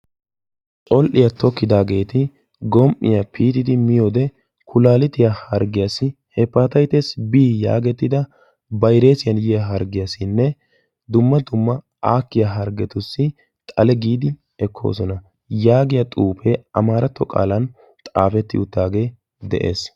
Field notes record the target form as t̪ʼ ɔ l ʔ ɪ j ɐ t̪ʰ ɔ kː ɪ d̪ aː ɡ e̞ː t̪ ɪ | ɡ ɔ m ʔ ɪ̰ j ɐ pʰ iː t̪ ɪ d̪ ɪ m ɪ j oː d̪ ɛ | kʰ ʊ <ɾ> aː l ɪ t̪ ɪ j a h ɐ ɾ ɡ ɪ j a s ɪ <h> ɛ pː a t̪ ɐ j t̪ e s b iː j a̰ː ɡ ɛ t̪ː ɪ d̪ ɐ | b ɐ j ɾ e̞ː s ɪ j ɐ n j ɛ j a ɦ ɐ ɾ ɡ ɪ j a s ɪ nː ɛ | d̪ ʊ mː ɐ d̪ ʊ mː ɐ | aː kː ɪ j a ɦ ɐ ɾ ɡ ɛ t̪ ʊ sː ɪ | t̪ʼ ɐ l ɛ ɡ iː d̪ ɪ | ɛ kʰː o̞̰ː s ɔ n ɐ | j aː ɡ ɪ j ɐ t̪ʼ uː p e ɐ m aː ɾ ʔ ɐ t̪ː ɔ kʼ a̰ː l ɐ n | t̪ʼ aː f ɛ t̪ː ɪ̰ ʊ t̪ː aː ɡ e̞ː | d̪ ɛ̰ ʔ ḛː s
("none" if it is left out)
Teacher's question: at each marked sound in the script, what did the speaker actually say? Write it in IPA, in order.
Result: l, h

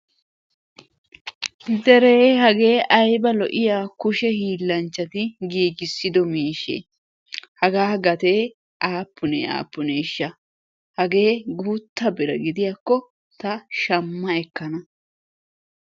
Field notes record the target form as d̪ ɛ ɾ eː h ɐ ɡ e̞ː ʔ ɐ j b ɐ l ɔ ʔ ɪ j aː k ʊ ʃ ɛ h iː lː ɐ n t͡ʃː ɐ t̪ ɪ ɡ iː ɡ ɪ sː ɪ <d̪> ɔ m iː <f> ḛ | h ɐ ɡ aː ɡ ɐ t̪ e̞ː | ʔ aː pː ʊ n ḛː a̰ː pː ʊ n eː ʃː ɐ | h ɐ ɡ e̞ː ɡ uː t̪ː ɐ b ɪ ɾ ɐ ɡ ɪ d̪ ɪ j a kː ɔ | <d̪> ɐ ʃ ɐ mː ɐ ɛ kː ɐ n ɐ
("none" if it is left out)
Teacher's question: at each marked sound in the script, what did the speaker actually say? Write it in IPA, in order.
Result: d̪, ʃ, t̪

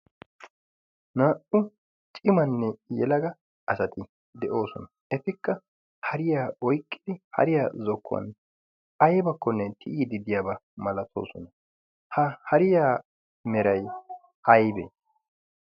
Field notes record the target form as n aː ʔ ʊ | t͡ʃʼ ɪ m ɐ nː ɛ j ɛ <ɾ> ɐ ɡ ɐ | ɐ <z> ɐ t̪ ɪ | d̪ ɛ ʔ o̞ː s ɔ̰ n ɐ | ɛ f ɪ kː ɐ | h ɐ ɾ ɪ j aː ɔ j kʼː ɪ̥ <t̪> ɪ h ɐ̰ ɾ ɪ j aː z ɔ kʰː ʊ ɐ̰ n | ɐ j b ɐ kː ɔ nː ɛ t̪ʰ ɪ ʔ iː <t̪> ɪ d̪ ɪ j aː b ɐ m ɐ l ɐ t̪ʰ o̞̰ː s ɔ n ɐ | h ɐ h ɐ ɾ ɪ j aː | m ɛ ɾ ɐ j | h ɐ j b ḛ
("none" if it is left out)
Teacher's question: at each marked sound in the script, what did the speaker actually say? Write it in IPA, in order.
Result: l, s, d̪, d̪

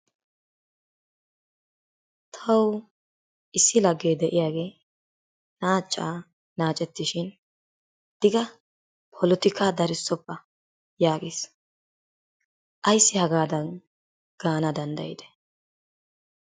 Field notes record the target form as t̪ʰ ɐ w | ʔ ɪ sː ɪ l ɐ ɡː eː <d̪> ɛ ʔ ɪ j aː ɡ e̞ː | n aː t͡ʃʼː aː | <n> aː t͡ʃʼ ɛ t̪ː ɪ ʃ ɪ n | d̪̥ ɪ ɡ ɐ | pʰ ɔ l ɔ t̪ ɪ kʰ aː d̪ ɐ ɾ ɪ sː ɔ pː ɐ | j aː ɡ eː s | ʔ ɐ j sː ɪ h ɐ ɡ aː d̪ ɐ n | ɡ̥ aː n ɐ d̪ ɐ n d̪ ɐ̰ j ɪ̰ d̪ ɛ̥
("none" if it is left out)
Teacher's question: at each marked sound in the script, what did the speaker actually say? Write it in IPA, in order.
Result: d̪, n

